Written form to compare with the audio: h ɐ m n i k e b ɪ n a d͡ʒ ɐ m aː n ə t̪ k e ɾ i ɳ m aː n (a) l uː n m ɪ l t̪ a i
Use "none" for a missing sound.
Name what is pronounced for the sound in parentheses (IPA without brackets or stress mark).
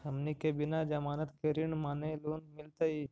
e